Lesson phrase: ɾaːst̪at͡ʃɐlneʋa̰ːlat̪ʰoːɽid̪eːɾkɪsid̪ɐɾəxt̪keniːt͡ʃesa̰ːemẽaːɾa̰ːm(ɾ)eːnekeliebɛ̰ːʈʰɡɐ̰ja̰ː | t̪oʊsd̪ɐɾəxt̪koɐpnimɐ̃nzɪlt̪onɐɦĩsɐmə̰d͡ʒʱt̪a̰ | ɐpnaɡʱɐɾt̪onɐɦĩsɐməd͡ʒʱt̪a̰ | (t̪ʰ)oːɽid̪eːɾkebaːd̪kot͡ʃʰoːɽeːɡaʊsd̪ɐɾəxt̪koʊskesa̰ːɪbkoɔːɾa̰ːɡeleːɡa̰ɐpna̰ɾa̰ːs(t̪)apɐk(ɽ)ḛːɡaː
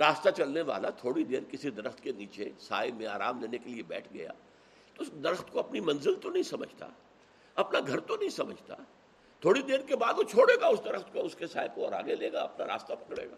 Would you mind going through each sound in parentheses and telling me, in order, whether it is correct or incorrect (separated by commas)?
incorrect, correct, correct, correct